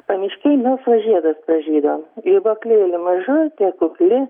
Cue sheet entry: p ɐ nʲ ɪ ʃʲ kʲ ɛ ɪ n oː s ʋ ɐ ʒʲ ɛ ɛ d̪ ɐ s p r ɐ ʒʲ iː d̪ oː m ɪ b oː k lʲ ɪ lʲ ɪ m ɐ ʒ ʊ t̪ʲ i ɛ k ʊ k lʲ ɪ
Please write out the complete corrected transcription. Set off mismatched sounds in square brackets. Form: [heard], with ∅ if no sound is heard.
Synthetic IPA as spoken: p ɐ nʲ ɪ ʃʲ kʲ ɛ ɪ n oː s ʋ ɐ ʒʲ [i] ɛ d̪ ɐ s p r ɐ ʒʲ iː d̪ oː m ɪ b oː k lʲ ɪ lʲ ɪ m ɐ ʒ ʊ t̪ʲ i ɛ k ʊ k lʲ ɪ